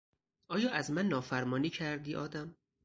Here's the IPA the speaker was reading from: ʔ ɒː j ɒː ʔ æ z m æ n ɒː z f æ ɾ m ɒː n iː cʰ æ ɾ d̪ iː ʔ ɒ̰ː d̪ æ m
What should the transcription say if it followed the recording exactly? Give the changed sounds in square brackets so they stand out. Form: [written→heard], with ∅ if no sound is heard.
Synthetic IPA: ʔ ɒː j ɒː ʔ æ z m æ [n→nː] ɒː [z→∅] f æ ɾ m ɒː n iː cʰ æ ɾ d̪ iː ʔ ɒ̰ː d̪ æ m